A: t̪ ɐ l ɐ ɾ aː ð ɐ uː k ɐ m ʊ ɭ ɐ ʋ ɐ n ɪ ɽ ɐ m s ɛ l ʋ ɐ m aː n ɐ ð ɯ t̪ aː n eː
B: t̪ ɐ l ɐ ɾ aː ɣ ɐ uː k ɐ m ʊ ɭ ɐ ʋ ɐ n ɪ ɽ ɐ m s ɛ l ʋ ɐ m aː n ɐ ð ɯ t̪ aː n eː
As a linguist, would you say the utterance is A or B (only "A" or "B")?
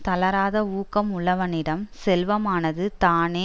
A